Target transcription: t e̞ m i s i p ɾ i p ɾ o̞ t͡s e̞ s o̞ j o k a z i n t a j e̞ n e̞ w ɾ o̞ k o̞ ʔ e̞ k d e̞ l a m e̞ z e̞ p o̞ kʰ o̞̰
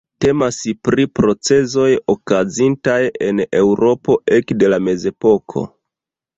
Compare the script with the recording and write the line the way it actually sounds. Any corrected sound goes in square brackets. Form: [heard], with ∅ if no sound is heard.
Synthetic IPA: t e̞ m [a] s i p ɾ i p ɾ o̞ t͡s e̞ [z] o̞ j o k a z i n t a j e̞ n e̞ w ɾ o̞ [p] o̞ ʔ e̞ k d e̞ l a m e̞ z e̞ p o̞ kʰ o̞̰